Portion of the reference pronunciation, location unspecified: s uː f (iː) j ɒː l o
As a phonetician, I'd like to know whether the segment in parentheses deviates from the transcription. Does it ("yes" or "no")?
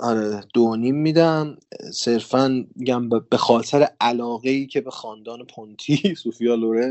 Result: yes